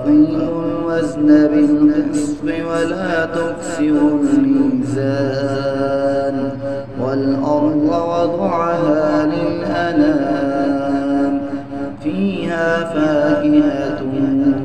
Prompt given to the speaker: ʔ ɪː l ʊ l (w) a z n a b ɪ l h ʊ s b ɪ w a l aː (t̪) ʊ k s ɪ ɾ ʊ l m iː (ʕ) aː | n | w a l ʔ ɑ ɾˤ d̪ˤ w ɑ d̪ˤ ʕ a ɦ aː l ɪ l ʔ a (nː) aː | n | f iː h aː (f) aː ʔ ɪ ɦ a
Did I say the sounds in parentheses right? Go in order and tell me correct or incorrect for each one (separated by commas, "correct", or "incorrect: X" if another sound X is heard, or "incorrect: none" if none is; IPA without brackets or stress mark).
correct, correct, incorrect: z, incorrect: n, correct